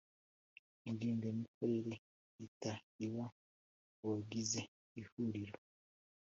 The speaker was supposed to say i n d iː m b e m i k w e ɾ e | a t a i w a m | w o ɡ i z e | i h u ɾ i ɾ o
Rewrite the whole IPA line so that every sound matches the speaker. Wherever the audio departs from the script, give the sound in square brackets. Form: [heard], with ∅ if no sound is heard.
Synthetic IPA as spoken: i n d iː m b e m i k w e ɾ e | [i] t a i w a [∅] | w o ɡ i z e | i h u ɾ i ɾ o